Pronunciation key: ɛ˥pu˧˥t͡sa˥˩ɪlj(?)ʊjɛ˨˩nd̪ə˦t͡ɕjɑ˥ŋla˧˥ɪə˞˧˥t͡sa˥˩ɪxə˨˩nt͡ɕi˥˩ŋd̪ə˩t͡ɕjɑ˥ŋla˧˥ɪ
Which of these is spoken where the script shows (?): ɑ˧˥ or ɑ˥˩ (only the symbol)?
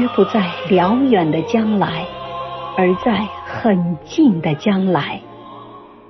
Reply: ɑ˧˥